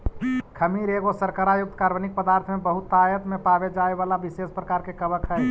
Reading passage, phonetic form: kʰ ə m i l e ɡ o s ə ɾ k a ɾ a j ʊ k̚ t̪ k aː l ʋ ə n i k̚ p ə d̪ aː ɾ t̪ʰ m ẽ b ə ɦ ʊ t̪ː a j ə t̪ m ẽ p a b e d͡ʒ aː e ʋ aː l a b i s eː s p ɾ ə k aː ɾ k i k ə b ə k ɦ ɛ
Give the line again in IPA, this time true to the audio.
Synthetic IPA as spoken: kʰ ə m i ɾ e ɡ o s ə ɾ k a ɾ a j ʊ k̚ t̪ k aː ɾ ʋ ə n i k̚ p ə d̪ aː ɾ t̪ʰ m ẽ b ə ɦ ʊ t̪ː a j ə t̪ m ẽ p a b e d͡ʒ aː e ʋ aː l a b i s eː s p ɾ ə k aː ɾ k e k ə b ə k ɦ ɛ